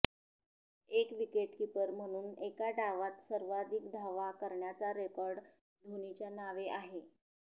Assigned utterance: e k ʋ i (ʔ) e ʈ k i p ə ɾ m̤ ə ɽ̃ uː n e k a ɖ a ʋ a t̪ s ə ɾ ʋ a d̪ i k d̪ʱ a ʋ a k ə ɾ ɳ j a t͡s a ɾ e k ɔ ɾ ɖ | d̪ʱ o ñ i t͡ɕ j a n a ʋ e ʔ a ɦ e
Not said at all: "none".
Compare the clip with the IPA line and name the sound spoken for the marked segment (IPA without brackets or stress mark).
k